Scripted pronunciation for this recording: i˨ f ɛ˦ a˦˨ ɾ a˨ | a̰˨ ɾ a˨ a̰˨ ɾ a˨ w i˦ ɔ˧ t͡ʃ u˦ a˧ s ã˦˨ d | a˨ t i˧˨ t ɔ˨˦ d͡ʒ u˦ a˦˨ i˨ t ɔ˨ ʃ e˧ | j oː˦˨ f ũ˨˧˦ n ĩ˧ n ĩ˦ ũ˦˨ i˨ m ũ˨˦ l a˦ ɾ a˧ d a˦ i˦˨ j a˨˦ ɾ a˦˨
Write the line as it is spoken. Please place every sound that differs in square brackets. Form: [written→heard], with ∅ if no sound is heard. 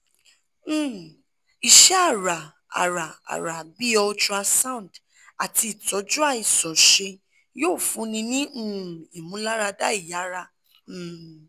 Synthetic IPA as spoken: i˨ [f→ʃ] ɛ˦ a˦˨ ɾ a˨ | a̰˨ ɾ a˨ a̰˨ ɾ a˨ [w→b] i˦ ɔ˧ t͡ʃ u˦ a˧ s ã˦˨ d | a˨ t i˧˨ t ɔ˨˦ d͡ʒ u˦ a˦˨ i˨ [t→s] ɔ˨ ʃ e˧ | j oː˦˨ f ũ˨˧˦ n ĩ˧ n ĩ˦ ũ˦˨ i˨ m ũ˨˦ l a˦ ɾ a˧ d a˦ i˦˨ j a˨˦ ɾ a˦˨

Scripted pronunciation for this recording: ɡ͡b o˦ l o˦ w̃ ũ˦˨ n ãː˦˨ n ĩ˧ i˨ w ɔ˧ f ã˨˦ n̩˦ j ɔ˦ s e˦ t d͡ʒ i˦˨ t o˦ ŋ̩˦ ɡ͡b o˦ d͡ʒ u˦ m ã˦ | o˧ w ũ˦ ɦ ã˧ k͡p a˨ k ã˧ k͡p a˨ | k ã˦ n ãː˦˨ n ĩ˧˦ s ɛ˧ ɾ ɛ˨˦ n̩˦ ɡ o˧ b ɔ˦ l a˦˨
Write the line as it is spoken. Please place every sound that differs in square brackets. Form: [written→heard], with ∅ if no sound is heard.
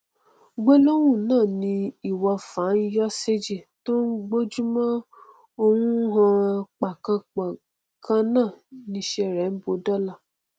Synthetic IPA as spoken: ɡ͡b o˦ l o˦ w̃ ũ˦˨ n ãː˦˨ n ĩ˧ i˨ w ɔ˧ f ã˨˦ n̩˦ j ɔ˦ s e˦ [t→∅] d͡ʒ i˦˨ t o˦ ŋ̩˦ ɡ͡b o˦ d͡ʒ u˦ m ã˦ | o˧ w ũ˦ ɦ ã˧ k͡p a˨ k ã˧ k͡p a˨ | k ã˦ n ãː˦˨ n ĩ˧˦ [s→ʃ] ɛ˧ ɾ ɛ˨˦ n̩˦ [ɡ→b] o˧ [b→d] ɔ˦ l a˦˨

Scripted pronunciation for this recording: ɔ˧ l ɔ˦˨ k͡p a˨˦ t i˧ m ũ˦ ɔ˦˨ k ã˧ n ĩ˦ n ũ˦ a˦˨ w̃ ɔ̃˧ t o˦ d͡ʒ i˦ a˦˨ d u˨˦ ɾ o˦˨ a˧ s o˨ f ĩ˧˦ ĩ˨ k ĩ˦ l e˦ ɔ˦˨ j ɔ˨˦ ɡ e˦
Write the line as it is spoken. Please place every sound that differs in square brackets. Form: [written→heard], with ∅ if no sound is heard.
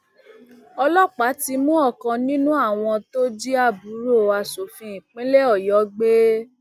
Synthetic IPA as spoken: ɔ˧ l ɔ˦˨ k͡p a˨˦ t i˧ m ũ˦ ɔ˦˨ k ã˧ n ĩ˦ n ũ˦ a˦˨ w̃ ɔ̃˧ t o˦ d͡ʒ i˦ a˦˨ [d→b] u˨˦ ɾ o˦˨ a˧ s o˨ f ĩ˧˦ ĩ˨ [k→k͡p] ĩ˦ l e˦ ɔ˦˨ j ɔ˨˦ [ɡ→ɡ͡b] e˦

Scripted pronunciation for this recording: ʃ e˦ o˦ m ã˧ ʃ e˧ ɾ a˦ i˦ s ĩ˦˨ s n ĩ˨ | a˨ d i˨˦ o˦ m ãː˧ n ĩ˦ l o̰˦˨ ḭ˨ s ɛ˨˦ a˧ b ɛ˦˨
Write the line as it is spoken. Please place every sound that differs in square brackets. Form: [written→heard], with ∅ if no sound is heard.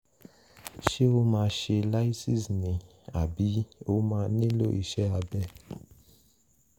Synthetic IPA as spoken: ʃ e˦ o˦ m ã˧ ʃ e˧ [ɾ→l] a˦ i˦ s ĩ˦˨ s n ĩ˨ | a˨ [d→b] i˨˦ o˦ m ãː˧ n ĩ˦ l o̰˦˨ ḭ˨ [s→ʃ] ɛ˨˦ a˧ b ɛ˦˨

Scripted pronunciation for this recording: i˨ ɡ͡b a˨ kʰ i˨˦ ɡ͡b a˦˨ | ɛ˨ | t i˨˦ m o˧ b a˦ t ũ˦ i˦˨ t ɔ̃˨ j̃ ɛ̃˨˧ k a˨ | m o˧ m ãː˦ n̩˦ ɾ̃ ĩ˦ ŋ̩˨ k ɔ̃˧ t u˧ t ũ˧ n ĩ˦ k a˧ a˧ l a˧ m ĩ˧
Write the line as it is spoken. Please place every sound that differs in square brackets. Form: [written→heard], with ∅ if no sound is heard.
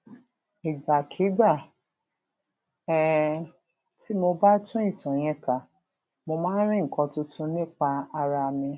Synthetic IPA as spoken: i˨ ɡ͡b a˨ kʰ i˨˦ ɡ͡b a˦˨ | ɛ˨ | t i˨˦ m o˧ b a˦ t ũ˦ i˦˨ t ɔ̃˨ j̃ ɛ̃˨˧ k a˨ | m o˧ m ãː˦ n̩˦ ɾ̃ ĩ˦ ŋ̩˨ k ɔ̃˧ t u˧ t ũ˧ n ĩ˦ [k→k͡p] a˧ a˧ [l→ɾ] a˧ m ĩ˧

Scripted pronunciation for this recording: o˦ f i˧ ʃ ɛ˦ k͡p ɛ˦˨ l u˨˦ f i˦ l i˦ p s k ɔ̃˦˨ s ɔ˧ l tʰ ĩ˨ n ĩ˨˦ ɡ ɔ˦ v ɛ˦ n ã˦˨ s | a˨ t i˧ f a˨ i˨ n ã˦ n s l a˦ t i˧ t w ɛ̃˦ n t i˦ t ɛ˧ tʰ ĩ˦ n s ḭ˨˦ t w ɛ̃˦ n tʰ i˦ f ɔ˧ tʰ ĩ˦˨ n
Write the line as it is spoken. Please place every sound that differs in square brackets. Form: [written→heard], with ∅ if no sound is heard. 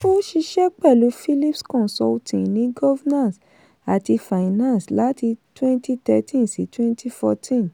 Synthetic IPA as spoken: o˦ [f→ʃ] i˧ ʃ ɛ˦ k͡p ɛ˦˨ l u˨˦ f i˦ l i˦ p s k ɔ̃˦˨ s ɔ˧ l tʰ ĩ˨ n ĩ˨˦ ɡ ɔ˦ v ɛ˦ n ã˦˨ s | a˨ t i˧ f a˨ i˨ n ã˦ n s l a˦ t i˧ t w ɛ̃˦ n t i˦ t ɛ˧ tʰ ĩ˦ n s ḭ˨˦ t w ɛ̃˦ n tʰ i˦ f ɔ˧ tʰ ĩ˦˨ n

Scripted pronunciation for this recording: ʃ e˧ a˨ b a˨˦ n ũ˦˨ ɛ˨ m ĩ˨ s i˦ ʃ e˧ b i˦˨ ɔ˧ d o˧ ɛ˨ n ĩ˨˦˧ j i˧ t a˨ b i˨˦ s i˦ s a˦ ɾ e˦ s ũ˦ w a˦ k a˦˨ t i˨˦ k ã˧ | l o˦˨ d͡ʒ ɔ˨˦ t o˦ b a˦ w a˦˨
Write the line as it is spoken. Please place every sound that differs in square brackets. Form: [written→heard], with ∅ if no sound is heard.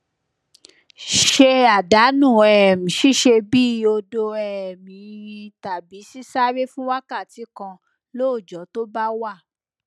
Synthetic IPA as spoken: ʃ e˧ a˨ [b→d] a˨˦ n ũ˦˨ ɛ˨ m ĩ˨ [s→ʃ] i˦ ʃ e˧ b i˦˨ [ɔ˧→o˧] d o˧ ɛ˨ [n→m] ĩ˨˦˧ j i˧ t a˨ b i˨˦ s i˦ s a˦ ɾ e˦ [s→f] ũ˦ w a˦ k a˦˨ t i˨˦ k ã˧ | l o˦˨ d͡ʒ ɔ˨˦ t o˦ b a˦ w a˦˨

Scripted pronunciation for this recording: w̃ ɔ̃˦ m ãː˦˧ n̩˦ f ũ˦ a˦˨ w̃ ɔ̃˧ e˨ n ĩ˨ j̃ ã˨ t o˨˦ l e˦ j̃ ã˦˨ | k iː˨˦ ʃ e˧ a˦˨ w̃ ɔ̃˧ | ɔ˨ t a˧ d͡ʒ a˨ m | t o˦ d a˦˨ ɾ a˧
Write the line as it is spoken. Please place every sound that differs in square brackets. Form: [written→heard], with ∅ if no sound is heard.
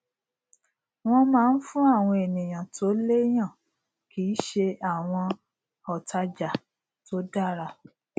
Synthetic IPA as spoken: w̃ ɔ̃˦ m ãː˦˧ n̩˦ f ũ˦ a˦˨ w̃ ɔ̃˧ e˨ n ĩ˨ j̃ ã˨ t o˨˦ l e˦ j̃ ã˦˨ | k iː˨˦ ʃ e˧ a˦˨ w̃ ɔ̃˧ | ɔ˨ t a˧ d͡ʒ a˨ [m→∅] | t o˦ d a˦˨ ɾ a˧

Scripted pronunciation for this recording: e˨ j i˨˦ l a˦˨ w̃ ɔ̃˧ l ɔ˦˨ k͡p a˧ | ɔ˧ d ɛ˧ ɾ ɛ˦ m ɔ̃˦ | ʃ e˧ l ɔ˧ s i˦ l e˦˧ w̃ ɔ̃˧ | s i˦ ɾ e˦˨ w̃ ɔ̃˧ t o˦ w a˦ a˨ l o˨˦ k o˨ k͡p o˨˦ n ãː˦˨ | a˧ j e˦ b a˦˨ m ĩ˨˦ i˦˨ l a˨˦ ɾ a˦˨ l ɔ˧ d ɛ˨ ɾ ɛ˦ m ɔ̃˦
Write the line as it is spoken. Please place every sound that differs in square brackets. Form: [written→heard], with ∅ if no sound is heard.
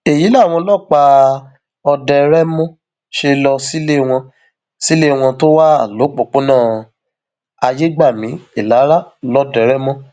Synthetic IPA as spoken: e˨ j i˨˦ l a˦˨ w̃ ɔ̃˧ l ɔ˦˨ k͡p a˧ | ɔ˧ d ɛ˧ ɾ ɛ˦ m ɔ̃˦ | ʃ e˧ l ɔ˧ s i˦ l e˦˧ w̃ ɔ̃˧ | s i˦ [ɾ→l] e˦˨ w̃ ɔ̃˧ t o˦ w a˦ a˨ l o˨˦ [k→k͡p] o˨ k͡p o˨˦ n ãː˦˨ | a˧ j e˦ [b→ɡ͡b] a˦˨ m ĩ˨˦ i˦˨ l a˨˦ ɾ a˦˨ l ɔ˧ d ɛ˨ ɾ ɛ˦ m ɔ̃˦

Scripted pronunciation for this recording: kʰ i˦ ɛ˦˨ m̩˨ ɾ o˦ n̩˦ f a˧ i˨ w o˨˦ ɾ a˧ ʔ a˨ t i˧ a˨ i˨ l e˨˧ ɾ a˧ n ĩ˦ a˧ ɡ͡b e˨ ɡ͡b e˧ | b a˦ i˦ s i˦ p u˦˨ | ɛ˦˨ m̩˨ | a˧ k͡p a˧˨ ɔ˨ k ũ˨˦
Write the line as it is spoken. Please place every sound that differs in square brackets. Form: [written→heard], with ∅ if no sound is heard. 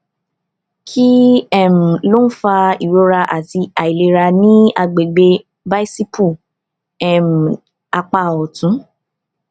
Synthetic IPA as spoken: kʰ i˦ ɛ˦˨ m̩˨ [ɾ→l] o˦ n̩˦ f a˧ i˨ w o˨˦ ɾ a˧ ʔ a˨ t i˧ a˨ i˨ l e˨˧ ɾ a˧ n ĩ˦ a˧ ɡ͡b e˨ ɡ͡b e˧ | b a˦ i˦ s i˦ p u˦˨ | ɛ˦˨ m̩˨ | a˧ k͡p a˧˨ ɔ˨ [k→t] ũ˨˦

